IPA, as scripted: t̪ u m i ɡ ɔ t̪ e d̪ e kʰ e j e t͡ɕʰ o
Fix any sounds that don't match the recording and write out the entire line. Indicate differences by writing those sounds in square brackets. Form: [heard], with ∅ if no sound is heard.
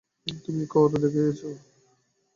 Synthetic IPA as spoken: t̪ u m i [k] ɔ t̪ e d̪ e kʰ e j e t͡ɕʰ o